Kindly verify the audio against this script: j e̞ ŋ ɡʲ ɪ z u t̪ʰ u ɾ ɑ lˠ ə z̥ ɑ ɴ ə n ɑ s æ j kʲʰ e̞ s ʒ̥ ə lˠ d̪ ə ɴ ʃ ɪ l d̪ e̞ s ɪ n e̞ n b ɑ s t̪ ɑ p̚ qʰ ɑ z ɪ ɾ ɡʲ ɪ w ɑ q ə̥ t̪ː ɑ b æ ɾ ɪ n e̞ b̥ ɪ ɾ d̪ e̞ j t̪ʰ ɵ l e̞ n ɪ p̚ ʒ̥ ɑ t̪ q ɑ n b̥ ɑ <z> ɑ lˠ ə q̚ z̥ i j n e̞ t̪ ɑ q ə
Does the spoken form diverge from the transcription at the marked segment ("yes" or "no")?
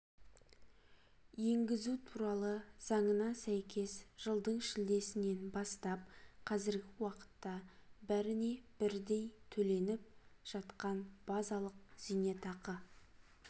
no